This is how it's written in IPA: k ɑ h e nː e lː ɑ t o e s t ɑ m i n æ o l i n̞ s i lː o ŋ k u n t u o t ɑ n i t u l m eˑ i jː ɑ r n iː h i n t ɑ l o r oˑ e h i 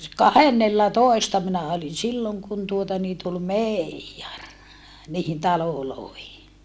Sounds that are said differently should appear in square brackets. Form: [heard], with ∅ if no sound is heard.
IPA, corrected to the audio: k ɑ h e nː e lː ɑ t o e s t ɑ m i n æ o l i n̞ s i lː o ŋ k u n t u o t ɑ n [iː] t u l m eˑ i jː ɑ r n iː h i n t ɑ l o [l] oˑ e h i